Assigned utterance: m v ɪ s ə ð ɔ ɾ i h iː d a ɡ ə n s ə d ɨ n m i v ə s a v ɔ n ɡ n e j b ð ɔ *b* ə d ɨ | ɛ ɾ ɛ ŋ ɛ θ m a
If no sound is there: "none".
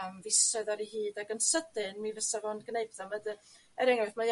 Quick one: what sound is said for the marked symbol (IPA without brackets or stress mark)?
m